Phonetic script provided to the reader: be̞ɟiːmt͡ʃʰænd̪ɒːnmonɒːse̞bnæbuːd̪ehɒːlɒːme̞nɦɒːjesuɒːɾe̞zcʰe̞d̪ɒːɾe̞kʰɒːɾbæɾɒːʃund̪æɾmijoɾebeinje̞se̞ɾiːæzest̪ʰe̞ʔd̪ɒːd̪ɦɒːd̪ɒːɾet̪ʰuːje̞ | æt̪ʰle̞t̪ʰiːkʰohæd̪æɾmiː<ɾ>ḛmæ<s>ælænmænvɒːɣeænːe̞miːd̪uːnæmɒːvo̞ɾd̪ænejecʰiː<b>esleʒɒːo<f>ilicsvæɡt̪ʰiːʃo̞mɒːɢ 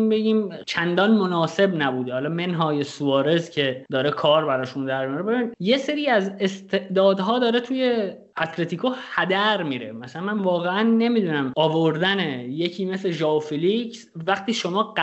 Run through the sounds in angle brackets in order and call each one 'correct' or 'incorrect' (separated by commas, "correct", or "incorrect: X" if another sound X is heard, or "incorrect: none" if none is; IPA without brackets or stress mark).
correct, correct, incorrect: m, correct